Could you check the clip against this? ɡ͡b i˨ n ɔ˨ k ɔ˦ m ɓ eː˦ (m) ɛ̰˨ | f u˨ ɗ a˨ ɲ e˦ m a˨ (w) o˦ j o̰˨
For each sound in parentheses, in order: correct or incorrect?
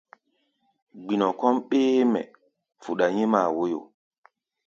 correct, correct

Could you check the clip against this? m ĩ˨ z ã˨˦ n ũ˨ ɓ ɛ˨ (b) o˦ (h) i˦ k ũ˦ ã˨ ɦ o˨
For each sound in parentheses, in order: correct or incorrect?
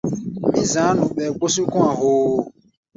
incorrect: ɡ͡b, incorrect: s

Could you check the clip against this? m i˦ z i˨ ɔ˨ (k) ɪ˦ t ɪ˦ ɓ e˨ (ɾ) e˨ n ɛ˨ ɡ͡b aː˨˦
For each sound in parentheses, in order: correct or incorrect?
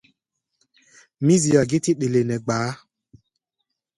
incorrect: ɡ, incorrect: l

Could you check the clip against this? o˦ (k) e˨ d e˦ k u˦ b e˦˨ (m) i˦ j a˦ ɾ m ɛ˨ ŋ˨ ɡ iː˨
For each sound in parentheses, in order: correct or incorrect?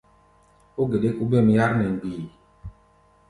incorrect: ɡ, correct

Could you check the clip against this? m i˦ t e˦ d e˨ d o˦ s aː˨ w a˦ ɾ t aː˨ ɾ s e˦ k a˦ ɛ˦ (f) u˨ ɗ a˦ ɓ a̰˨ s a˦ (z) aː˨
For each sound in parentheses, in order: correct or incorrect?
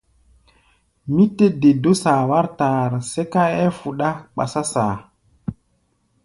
correct, incorrect: s

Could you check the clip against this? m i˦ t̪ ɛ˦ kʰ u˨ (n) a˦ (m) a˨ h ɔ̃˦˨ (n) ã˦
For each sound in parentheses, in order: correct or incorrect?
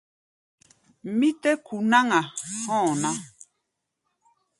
correct, incorrect: ŋ, correct

